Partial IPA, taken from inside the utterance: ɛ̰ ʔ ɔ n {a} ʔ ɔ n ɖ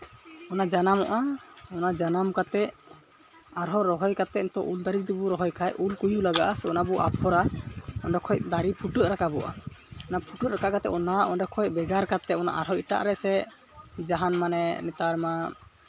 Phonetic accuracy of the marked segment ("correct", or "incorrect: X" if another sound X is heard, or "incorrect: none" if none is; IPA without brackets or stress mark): correct